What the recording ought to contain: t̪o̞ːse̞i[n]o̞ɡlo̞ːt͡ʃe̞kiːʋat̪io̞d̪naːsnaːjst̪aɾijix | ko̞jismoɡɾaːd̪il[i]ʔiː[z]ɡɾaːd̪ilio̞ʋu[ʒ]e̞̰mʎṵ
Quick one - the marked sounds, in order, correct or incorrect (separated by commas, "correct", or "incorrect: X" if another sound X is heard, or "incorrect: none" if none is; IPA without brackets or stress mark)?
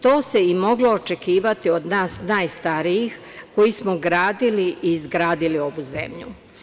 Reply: incorrect: m, correct, correct, incorrect: z